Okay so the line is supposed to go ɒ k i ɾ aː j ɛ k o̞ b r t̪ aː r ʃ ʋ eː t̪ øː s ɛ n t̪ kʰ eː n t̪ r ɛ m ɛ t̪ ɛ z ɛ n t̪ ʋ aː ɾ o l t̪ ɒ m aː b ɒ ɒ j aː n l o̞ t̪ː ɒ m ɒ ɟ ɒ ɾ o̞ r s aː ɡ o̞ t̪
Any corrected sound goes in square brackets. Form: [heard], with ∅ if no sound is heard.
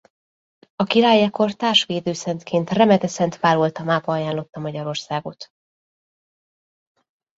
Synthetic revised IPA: ɒ k i ɾ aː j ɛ k o̞ [∅] r t̪ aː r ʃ ʋ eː [d̪] øː s ɛ n t̪ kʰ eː n t̪ r ɛ m ɛ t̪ ɛ [s] ɛ n t̪ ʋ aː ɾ o l t̪ ɒ m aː b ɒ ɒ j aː n l o̞ t̪ː ɒ m ɒ ɟ ɒ ɾ o̞ r s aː ɡ o̞ t̪

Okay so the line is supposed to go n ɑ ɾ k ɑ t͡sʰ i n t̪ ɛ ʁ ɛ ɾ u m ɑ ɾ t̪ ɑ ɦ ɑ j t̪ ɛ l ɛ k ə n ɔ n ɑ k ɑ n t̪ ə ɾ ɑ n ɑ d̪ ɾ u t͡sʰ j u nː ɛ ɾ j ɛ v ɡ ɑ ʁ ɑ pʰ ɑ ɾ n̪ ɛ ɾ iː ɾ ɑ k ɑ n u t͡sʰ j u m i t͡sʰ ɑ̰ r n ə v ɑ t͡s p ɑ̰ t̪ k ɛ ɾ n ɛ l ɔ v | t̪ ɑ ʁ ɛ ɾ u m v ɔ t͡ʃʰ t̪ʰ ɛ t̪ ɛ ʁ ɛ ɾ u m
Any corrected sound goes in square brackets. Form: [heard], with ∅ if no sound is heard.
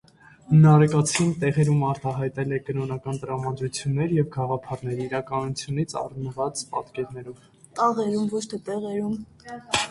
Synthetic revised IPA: n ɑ ɾ k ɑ t͡sʰ i n t̪ ɛ ʁ ɛ ɾ u m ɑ ɾ t̪ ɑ ɦ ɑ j t̪ ɛ l ɛ k ə n ɔ n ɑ k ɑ n t̪ ə ɾ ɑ [m] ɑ d̪ ɾ u t͡sʰ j u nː ɛ ɾ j ɛ v ɡ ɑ ʁ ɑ pʰ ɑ ɾ n̪ ɛ ɾ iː ɾ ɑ k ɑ n u t͡sʰ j u [n] i t͡sʰ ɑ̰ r n ə v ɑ t͡s p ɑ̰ t̪ k ɛ ɾ n ɛ [ɾ] ɔ v | t̪ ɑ ʁ ɛ ɾ u m v ɔ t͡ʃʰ t̪ʰ ɛ t̪ ɛ ʁ ɛ ɾ u m

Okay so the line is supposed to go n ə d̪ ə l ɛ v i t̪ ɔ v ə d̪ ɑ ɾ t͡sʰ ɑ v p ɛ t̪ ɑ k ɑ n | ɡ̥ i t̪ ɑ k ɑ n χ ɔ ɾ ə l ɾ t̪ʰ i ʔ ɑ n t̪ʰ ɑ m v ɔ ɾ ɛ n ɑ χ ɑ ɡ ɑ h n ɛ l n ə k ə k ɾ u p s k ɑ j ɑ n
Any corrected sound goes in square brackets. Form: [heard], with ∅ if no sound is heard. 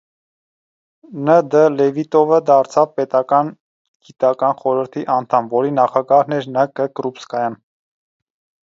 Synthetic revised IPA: n ə d̪ ə l ɛ v i t̪ ɔ v ə d̪ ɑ ɾ t͡sʰ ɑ v p ɛ t̪ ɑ k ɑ n | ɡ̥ i t̪ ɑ k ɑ n χ ɔ ɾ ə [∅] ɾ t̪ʰ i ʔ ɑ n t̪ʰ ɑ m v ɔ ɾ [i] n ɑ χ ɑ ɡ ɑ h n ɛ [ɾ] n ə k ə k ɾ u p s k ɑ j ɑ n

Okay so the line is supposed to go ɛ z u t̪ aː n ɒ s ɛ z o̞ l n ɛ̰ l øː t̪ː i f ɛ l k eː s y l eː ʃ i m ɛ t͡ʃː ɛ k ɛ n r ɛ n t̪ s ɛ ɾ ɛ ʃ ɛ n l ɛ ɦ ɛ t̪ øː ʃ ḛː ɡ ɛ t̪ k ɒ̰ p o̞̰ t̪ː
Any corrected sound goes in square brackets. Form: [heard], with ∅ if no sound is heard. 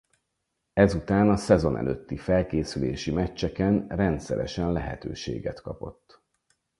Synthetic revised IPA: ɛ z u t̪ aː n ɒ s ɛ z o̞ [∅] n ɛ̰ l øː t̪ː i f ɛ l k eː s y l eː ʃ i m ɛ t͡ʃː ɛ k ɛ n r ɛ n t̪ s ɛ ɾ ɛ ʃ ɛ n l ɛ ɦ ɛ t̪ øː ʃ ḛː ɡ ɛ t̪ k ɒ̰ p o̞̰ t̪ː

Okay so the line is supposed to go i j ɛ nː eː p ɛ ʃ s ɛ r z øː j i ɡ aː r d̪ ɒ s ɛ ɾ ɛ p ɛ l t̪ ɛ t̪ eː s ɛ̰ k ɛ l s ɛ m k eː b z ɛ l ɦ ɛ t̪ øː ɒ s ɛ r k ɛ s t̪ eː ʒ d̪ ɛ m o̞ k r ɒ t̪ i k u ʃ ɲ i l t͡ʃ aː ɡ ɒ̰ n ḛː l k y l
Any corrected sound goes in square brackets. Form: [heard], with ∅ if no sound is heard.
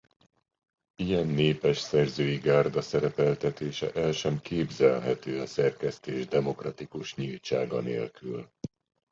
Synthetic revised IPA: i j ɛ nː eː p ɛ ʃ s ɛ r z øː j i ɡ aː r d̪ ɒ s ɛ ɾ ɛ p ɛ l t̪ ɛ t̪ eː [ʃ] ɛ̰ [ʔ] ɛ l [ʃ] ɛ m k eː b z ɛ l ɦ ɛ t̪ øː ɒ s ɛ r k ɛ s t̪ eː ʒ d̪ ɛ m o̞ k r ɒ t̪ i k u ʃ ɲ i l t͡ʃ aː ɡ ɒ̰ n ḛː l k y l

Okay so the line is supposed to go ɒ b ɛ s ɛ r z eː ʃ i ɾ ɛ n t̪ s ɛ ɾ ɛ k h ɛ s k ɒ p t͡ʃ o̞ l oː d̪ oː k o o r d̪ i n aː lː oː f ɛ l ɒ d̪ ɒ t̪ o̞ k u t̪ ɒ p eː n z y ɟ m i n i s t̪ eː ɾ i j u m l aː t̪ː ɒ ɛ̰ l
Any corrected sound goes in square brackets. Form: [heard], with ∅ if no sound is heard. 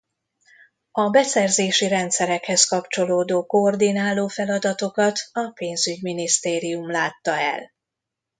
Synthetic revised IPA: ɒ b ɛ s ɛ r z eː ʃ i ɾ ɛ n t̪ s ɛ ɾ ɛ k h ɛ s k ɒ p t͡ʃ o̞ l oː d̪ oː k o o r d̪ i n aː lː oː f ɛ l ɒ d̪ ɒ t̪ o̞ k [ɒ] t̪ ɒ p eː n z y ɟ m i n i s t̪ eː ɾ i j u m l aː t̪ː ɒ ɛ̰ l

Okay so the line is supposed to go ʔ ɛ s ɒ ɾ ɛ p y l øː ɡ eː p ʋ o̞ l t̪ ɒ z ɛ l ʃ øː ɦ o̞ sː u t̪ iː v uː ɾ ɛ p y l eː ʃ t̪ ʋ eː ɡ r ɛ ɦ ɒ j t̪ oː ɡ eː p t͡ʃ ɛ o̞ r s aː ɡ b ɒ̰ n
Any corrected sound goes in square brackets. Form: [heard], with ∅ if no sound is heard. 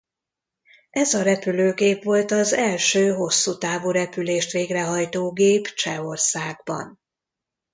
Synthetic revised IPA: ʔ ɛ [z] ɒ ɾ ɛ p y l øː ɡ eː p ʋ o̞ l t̪ ɒ z ɛ l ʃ øː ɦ o̞ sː u t̪ [aː] v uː ɾ ɛ p y l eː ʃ t̪ ʋ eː ɡ r ɛ ɦ ɒ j t̪ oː ɡ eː p t͡ʃ ɛ o̞ r s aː ɡ b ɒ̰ n

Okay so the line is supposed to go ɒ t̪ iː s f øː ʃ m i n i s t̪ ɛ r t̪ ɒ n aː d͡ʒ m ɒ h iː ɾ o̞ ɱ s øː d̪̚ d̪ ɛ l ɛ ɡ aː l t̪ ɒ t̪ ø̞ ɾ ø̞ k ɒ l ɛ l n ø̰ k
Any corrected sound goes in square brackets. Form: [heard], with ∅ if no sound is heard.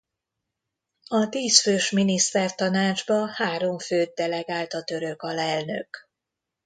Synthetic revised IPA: ɒ t̪ iː s f øː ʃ m i n i s t̪ ɛ r t̪ ɒ n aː d͡ʒ [b] ɒ h [aː] ɾ o̞ ɱ [f] øː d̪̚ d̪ ɛ l ɛ ɡ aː l t̪ ɒ t̪ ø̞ ɾ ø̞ k ɒ l ɛ l n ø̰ k

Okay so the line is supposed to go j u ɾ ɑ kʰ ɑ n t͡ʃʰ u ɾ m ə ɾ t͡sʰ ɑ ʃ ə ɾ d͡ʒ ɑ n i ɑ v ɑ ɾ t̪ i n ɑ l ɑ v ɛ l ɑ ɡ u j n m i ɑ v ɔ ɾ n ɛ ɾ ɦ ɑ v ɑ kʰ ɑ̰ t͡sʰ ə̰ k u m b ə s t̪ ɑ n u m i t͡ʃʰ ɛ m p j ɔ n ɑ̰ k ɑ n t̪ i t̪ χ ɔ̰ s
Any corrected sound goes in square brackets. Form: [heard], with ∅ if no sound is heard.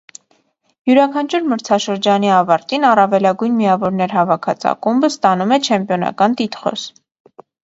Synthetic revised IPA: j u ɾ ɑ kʰ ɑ n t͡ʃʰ u ɾ m ə ɾ t͡sʰ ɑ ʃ ə ɾ d͡ʒ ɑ n i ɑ v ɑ ɾ t̪ i n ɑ [r] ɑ v ɛ l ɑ ɡ u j n m i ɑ v ɔ ɾ n ɛ ɾ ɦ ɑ v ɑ kʰ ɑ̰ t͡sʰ [ɑ̰] k u m b ə s t̪ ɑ n u m [ɛ] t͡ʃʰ ɛ m p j ɔ n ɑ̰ k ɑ n t̪ i t̪ χ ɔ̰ s

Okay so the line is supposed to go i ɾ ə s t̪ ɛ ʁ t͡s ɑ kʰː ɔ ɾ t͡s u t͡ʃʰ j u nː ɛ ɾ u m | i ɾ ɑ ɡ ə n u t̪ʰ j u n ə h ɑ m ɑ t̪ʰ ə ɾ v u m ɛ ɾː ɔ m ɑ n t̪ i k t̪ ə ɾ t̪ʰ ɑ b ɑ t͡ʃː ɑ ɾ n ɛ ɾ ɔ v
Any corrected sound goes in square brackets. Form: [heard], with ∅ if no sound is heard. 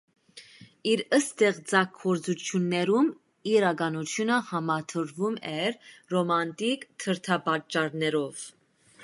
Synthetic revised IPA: i ɾ ə s t̪ ɛ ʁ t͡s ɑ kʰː ɔ ɾ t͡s u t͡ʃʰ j u nː ɛ ɾ u m | i ɾ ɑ ɡ [ɑ] n u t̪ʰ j u n ə h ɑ m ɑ t̪ʰ ə ɾ v u m ɛ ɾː ɔ m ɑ n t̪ i k [t̪ʰ] ə ɾ t̪ʰ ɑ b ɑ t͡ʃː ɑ ɾ n ɛ ɾ ɔ v

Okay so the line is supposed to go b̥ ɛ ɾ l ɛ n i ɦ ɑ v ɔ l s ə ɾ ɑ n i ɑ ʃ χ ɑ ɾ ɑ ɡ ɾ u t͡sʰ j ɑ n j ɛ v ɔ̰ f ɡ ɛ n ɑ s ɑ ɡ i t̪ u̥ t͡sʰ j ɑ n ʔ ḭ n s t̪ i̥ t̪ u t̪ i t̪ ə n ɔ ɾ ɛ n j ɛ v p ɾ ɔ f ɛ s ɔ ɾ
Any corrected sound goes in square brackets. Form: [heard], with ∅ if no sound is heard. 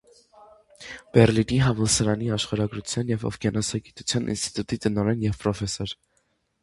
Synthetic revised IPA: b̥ ɛ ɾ l [i] n i ɦ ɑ v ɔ l s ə ɾ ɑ n i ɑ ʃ χ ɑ ɾ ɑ ɡ ɾ u t͡sʰ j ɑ n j ɛ v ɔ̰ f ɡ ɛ n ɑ s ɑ ɡ i t̪ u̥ t͡sʰ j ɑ n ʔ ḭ n s t̪ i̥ t̪ u t̪ i t̪ ə n ɔ ɾ ɛ n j ɛ v p ɾ ɔ f ɛ s ɔ ɾ

